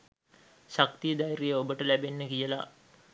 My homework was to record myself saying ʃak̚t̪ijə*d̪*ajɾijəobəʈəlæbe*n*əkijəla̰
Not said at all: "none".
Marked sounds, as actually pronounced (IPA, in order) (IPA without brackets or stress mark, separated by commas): d̪, nː